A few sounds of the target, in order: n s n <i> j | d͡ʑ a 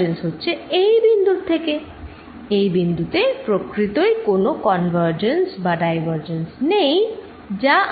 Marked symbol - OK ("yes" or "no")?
no